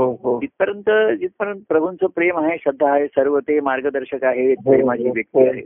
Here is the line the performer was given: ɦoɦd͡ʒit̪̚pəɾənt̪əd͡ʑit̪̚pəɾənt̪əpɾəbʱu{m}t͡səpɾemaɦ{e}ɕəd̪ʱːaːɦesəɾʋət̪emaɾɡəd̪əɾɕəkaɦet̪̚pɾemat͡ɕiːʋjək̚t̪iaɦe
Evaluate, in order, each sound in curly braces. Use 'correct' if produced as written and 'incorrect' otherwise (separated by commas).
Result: incorrect, correct